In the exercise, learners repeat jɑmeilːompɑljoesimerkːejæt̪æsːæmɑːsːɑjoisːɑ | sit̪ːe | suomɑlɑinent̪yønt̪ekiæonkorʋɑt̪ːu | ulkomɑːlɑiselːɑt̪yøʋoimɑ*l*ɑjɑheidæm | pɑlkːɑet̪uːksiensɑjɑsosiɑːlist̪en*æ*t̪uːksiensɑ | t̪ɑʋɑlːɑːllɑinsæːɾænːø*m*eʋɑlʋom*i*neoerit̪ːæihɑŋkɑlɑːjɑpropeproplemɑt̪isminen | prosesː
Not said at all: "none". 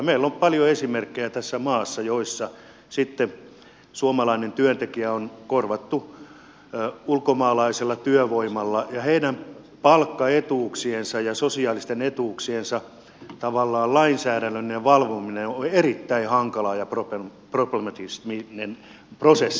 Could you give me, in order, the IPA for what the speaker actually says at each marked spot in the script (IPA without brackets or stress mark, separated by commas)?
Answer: lː, e, n, i